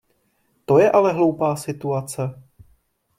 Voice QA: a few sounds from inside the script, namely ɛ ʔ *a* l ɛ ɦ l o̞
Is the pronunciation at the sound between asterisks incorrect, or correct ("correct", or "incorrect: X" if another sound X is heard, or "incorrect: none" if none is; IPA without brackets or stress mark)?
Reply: correct